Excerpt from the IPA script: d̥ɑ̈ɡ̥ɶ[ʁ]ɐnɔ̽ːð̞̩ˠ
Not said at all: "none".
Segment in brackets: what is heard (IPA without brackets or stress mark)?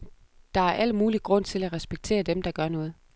none